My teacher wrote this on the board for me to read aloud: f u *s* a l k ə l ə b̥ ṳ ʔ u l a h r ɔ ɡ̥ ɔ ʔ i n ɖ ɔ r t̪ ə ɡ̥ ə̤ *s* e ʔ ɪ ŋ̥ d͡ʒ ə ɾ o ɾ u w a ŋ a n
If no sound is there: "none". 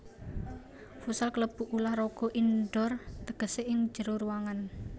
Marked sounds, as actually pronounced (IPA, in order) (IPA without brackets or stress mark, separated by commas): s, s